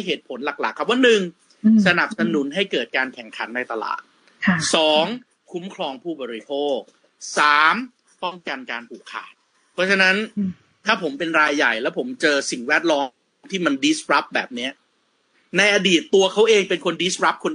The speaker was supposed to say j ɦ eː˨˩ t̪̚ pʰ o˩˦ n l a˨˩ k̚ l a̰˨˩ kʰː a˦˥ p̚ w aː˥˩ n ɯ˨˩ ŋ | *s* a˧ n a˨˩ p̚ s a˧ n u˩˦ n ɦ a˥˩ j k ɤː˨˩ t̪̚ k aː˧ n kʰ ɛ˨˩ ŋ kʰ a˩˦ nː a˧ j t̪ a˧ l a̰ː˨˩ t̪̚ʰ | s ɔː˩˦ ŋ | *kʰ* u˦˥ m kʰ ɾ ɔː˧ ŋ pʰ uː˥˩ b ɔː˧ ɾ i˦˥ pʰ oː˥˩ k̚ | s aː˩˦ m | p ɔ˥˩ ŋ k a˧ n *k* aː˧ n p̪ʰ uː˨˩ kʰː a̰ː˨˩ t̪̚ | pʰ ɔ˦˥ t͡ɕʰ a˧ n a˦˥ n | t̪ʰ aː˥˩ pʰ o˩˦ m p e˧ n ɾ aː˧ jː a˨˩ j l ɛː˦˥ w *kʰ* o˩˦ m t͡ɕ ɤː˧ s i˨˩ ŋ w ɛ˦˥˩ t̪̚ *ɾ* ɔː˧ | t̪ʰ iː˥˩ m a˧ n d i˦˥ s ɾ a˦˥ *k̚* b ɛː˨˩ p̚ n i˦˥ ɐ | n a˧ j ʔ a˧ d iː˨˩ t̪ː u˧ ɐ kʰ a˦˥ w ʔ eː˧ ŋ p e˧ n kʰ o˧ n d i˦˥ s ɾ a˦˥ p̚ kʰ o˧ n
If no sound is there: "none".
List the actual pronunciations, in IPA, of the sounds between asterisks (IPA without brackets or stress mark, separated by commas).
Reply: s, kʰ, k, pʰ, l, p̚